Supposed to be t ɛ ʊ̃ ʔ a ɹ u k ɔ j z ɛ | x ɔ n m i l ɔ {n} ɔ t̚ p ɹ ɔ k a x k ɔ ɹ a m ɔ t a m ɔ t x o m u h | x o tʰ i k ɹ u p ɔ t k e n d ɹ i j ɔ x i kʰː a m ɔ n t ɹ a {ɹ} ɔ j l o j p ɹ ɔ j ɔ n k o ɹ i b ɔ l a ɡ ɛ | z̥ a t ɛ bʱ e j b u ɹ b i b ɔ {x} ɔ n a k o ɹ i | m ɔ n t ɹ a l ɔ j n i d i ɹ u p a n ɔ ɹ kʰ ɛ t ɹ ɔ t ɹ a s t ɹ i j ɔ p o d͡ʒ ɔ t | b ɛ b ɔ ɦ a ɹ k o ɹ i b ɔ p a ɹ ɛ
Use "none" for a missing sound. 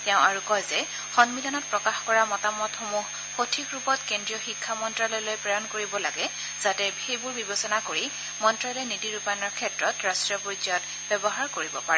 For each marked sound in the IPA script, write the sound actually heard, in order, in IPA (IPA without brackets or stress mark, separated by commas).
n, l, s